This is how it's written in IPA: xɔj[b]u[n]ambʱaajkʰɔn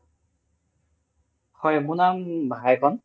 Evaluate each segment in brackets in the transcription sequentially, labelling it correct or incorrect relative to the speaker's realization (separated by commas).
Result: incorrect, correct